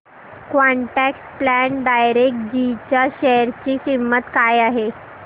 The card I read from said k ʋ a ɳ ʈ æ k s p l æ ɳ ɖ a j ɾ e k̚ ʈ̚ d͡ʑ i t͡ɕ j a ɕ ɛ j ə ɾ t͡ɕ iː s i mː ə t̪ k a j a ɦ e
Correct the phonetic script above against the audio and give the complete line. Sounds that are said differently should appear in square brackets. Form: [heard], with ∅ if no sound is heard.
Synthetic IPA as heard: k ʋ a ɳ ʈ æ k s p l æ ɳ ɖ a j ɾ e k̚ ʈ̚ d͡ʑ i t͡ɕ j a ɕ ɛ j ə ɾ t͡ɕ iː s i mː ə t̪ k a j a ɦ e